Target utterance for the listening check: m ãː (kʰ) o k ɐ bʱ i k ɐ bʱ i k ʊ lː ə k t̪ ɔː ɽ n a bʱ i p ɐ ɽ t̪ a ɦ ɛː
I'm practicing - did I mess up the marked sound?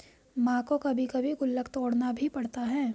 yes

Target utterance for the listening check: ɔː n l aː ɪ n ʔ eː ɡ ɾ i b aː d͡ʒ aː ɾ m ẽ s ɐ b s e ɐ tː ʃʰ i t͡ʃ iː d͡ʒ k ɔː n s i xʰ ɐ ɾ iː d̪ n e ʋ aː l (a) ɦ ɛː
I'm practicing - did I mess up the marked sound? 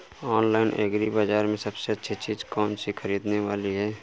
yes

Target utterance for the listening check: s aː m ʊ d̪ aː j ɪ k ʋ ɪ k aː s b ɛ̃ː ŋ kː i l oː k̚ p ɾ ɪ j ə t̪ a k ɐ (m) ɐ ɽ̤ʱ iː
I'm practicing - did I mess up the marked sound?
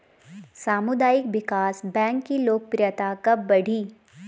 yes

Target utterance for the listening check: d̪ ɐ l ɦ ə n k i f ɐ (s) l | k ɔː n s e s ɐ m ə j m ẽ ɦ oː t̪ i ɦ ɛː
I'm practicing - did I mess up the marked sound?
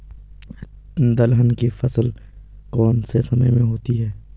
no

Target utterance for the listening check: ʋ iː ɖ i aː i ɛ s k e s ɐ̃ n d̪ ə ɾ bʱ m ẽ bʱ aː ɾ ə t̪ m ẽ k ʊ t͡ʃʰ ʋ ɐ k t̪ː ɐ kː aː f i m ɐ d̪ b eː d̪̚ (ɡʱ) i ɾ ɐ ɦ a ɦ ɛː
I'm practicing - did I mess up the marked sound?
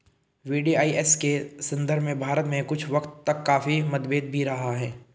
yes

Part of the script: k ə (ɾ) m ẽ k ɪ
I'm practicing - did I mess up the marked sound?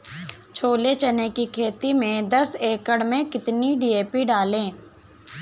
yes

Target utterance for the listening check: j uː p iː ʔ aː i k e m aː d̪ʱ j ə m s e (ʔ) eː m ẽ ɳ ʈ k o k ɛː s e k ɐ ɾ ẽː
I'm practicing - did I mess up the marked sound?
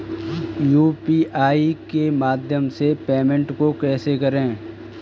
yes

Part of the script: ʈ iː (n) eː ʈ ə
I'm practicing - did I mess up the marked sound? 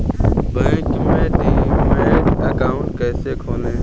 yes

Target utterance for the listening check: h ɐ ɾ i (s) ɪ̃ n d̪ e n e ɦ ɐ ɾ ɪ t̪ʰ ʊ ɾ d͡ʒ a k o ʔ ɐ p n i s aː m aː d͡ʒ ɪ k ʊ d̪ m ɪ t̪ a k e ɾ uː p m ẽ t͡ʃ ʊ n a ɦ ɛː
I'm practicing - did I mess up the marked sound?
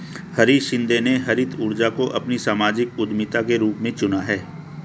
yes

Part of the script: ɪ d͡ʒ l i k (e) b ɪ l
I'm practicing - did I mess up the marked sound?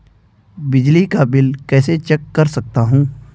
yes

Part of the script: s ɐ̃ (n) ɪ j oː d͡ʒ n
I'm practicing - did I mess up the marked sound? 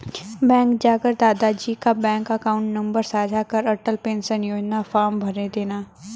no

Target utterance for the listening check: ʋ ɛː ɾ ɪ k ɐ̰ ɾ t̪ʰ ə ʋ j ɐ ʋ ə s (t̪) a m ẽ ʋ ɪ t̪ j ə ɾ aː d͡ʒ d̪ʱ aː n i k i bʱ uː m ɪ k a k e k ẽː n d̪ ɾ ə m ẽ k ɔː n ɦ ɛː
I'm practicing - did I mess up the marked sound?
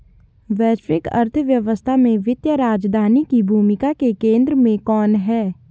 yes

